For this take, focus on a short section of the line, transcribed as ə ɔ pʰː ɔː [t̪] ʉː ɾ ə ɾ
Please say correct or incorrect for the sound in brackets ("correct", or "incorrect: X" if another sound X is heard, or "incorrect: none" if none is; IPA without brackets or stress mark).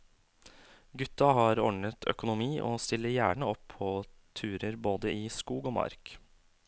incorrect: t̪ʰ